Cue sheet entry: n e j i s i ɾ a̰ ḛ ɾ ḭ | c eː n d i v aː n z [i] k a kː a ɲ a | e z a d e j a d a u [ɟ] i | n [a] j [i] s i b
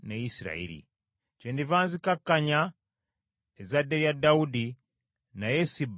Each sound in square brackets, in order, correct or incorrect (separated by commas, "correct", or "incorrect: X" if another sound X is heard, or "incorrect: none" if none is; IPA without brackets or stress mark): correct, incorrect: d, correct, incorrect: e